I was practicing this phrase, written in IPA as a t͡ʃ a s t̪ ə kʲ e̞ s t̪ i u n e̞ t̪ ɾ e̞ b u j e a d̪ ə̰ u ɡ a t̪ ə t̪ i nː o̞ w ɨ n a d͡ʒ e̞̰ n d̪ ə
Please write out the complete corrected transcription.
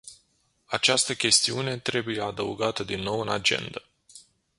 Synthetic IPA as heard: a t͡ʃ a s t̪ ə kʲ e̞ s t̪ i u n e̞ t̪ ɾ e̞ b u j e a d̪ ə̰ u ɡ a t̪ ə d̪ i nː o̞ w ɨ n a d͡ʒ e̞̰ n d̪ ə